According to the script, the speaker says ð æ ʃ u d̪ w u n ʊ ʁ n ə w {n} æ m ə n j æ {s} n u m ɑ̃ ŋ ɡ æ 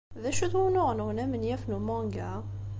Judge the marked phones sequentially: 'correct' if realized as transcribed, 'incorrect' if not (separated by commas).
correct, incorrect